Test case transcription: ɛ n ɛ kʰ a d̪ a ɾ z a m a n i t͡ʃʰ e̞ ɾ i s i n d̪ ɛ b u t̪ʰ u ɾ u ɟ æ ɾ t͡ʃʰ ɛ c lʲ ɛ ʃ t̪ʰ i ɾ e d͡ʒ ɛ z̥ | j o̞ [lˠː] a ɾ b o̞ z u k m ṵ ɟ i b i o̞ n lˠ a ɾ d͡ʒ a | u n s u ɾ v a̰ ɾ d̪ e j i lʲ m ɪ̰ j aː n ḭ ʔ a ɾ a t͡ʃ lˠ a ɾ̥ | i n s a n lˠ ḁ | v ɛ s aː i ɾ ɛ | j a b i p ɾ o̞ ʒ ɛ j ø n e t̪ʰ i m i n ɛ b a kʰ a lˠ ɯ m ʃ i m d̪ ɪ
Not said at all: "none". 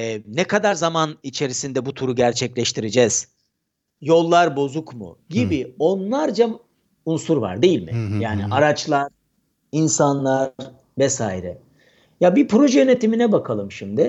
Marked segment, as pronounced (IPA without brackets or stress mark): lˠː